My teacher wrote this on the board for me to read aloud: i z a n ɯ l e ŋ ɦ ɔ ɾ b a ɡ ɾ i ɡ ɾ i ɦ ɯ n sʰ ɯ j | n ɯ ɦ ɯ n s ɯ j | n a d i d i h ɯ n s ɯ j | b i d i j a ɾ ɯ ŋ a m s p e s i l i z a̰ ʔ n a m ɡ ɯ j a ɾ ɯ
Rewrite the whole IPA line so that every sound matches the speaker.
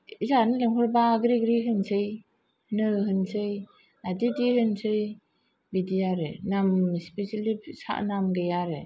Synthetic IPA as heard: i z a n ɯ l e ŋ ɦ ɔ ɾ b a ɡ ɾ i ɡ ɾ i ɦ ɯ n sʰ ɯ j | n ɯ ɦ ɯ n s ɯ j | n a d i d i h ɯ n s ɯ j | b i d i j a ɾ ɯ n a m s p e s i l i s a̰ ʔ n a m ɡ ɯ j a ɾ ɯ